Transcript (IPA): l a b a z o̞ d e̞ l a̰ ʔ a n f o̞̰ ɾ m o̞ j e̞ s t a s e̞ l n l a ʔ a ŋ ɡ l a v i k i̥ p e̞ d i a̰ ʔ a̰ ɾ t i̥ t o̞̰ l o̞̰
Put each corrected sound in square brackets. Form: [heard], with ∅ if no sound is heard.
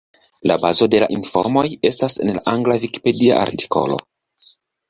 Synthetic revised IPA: l a b a z o̞ d e̞ l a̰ ʔ [i] n f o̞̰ ɾ m o̞ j e̞ s t a s e̞ [∅] n l a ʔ a ŋ ɡ l a v i k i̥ p e̞ d i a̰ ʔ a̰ ɾ t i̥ [k] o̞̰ l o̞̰